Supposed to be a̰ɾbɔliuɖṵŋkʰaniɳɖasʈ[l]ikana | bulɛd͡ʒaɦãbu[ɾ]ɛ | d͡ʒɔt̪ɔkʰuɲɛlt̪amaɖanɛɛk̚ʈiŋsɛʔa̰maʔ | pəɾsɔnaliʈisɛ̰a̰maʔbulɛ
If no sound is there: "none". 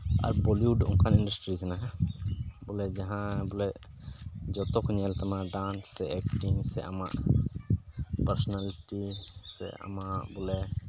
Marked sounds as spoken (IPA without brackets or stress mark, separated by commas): ɾ, l